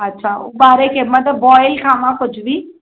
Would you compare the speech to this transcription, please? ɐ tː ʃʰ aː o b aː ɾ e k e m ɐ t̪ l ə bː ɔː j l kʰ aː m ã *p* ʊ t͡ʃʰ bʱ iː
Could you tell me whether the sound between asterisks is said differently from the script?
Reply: yes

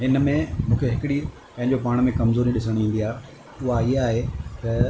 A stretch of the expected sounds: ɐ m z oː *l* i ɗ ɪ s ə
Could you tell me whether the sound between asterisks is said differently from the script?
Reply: yes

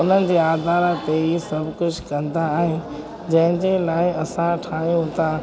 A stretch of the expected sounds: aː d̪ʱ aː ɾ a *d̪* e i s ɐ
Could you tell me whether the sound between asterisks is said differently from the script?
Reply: yes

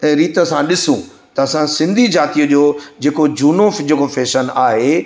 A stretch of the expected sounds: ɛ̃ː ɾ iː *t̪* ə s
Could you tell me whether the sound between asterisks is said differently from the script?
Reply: no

